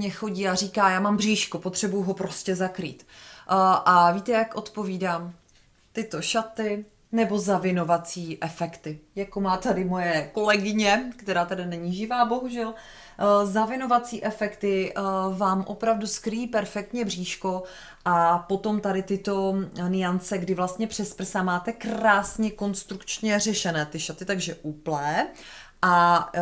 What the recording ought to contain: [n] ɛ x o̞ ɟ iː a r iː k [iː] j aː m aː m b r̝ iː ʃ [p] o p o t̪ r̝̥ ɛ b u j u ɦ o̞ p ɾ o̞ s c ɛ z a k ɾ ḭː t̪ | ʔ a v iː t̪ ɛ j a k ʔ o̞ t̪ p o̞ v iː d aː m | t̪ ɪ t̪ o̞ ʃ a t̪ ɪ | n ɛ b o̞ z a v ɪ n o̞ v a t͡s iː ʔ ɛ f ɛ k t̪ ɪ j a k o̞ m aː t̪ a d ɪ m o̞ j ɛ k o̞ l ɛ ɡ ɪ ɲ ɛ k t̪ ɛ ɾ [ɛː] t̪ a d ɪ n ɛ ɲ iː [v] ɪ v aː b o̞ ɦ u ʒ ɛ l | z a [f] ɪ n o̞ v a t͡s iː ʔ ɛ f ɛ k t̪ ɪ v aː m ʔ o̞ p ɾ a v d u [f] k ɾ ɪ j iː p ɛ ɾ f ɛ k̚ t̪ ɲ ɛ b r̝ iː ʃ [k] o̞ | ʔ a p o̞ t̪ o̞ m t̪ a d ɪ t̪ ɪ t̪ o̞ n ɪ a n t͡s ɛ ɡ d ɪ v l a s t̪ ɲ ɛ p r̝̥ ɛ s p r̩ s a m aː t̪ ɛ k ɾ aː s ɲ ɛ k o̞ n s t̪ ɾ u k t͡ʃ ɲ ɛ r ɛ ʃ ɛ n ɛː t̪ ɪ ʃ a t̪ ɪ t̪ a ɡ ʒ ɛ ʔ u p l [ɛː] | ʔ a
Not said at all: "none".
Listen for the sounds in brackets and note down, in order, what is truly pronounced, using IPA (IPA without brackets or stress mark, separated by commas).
ɲ, aː, k, aː, ʒ, v, s, k, ɛː